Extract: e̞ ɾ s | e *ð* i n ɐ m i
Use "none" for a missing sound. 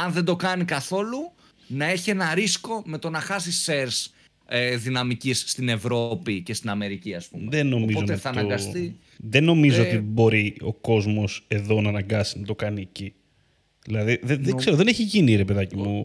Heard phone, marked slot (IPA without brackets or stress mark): ð